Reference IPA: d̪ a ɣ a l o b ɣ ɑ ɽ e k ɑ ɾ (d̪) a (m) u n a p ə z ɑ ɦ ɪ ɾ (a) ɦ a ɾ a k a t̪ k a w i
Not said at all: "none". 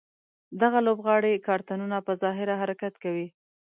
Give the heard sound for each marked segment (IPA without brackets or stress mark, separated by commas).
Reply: t̪, n, a